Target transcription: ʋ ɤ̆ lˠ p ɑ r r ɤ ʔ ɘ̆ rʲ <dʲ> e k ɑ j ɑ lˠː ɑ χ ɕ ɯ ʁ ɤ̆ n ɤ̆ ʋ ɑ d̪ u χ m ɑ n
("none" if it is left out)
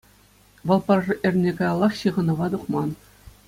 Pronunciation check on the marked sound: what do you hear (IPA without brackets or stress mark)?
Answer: nʲ